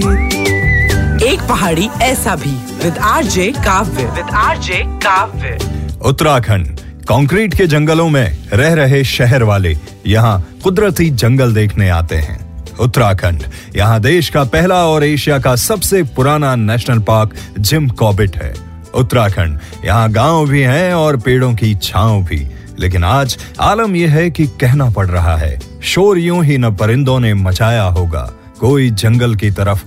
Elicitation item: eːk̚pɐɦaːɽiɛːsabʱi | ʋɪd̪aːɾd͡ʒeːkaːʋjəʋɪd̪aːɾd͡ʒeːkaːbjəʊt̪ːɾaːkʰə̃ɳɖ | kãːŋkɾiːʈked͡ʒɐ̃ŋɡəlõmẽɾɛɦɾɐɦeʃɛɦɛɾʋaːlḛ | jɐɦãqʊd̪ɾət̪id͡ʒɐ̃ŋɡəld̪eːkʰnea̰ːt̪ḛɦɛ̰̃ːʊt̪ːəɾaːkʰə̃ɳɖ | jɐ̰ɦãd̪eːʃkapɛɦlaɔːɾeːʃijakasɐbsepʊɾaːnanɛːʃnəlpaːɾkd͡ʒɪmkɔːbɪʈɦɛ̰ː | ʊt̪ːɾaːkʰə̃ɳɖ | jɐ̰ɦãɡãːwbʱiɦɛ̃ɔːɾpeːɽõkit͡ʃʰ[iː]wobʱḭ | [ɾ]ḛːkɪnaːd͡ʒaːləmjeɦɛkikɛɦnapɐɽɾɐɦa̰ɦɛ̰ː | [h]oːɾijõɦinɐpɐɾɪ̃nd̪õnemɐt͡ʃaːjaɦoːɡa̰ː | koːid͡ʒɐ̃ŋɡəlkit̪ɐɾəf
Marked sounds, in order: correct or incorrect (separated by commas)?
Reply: incorrect, incorrect, incorrect